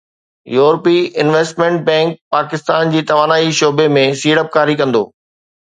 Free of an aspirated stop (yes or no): yes